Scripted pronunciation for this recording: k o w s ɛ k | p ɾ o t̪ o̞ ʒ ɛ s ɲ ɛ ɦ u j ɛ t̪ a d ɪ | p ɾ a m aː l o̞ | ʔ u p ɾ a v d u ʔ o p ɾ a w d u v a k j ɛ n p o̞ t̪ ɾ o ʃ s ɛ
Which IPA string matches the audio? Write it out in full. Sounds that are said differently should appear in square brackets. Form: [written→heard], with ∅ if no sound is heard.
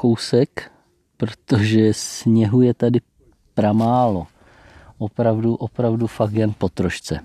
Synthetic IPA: k o w s ɛ k | p ɾ o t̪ o̞ ʒ ɛ s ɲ ɛ ɦ u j ɛ t̪ a d ɪ | p ɾ a m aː l o̞ | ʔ [u→o] p ɾ a v d u ʔ o p ɾ a [w→v] d u [v→f] a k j ɛ n p o̞ t̪ ɾ o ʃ [s→t͡s] ɛ